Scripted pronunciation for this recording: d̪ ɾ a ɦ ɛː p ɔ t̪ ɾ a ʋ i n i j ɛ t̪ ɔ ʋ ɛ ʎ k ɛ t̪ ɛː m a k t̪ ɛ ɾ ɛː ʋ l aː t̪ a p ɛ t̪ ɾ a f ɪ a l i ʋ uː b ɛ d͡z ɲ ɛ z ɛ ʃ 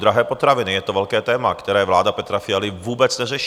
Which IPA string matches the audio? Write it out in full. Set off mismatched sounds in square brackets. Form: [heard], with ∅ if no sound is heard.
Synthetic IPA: d̪ ɾ a ɦ ɛː p ɔ t̪ ɾ a ʋ i n i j ɛ t̪ ɔ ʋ ɛ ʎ k [ɛː] t̪ ɛː m a k t̪ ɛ ɾ ɛː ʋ l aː [d̪] a p ɛ t̪ ɾ a f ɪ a l i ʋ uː b ɛ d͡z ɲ ɛ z ɛ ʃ

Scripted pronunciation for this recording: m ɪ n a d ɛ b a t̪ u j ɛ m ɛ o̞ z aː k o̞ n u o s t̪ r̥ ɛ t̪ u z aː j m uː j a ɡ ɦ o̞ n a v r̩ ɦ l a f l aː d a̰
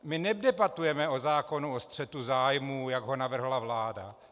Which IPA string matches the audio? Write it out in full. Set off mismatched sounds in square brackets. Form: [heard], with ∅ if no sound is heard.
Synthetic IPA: m ɪ n [ɛ] d ɛ b a t̪ u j ɛ m ɛ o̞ z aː k o̞ n u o s t̪ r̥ ɛ t̪ u z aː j m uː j a ɡ ɦ o̞ n a v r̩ ɦ l a [v] l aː d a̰

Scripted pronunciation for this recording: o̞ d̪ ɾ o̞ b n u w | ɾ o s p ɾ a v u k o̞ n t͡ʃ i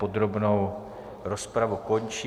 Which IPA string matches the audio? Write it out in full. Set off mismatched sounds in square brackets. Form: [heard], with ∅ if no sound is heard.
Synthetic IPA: o̞ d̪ ɾ o̞ b n [o] w | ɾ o s p ɾ a v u k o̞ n t͡ʃ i

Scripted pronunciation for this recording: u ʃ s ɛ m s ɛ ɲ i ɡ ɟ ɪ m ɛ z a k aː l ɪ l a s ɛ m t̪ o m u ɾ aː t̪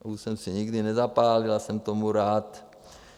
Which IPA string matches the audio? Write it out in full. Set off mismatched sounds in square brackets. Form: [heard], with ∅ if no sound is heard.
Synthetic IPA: u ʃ s ɛ m s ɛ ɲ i ɡ [d] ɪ [n] ɛ z a [p] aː l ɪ l a s ɛ m t̪ o m u ɾ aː t̪

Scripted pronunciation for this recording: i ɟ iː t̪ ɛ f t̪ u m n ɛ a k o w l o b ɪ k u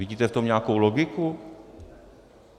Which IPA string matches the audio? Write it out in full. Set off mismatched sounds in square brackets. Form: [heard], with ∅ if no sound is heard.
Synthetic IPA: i ɟ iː t̪ ɛ f t̪ [o] m [ɲ] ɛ a k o w l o [ɡ] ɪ k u

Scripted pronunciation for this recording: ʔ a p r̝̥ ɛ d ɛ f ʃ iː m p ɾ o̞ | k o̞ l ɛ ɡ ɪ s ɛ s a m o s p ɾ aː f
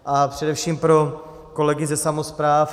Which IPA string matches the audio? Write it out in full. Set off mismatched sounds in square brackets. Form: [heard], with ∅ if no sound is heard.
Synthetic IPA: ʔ a p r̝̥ ɛ d ɛ f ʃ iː m p ɾ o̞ | k o̞ l ɛ ɡ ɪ [z] ɛ s a m o s p ɾ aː f

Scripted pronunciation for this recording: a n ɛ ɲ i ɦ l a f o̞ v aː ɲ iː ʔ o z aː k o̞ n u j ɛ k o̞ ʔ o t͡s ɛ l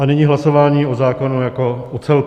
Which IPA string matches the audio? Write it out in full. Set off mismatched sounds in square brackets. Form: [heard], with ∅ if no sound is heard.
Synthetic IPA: a n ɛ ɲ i ɦ l a [s] o̞ v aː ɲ iː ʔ o z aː k o̞ n u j [a] k o̞ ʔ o t͡s ɛ l

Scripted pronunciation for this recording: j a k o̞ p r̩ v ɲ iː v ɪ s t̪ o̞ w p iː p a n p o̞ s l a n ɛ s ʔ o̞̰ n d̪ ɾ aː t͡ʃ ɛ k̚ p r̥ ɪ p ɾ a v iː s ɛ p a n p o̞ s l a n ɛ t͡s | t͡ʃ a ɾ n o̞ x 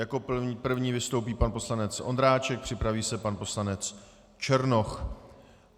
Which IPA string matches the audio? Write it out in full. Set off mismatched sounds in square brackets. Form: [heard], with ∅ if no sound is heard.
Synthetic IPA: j a k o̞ p r̩ v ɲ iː v ɪ s t̪ o̞ w p iː p a n p o̞ s l a n ɛ [t͡s] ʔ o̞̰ n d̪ ɾ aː t͡ʃ ɛ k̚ p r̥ ɪ p ɾ a v iː s ɛ p a n p o̞ s l a n ɛ t͡s | t͡ʃ [ɛ] ɾ n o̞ x

